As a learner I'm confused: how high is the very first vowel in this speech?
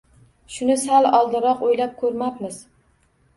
high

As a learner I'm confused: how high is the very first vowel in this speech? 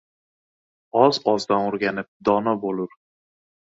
low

